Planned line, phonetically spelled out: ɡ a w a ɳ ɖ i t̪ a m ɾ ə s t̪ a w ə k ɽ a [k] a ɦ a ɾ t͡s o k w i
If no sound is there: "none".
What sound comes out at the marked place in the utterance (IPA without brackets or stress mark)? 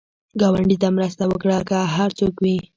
k